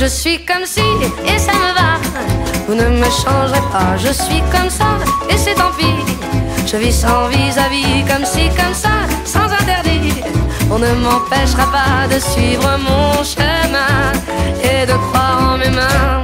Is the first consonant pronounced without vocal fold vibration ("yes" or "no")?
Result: no